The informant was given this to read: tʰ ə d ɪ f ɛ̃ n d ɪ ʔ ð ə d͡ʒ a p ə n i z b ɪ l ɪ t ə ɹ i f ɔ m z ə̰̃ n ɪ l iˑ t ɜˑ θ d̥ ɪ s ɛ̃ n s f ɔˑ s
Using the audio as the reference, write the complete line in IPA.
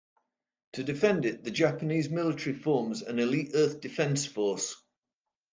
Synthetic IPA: tʰ ə d ɪ f ɛ̃ n d ɪ ʔ ð ə d͡ʒ a p ə n iː z m ɪ l ɪ t ə ɹ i f ɔː m z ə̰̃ n ɪ l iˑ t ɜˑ θ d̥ ɪ f ɛ̃ n s f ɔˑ s